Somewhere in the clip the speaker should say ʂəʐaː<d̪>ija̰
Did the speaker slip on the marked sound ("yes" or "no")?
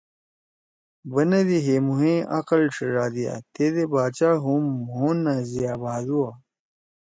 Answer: no